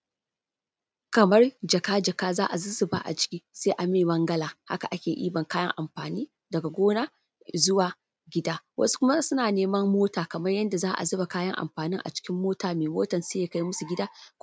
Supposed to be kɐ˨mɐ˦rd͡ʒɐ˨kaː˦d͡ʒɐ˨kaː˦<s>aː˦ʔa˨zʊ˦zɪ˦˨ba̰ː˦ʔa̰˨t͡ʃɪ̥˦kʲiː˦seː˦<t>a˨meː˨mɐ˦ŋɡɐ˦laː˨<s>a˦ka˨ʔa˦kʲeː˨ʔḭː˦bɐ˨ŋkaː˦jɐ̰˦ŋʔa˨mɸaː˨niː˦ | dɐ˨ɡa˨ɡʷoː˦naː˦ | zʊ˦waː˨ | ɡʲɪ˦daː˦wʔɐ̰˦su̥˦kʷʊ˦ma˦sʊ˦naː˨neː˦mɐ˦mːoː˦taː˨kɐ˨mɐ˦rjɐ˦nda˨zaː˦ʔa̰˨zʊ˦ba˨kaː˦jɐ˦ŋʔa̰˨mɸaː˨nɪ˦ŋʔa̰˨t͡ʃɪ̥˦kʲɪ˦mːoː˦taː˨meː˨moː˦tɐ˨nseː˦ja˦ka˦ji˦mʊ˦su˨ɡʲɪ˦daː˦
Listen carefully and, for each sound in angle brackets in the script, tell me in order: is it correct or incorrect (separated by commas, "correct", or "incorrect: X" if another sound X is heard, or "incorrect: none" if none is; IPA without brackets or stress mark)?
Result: incorrect: z, incorrect: ʔ, incorrect: h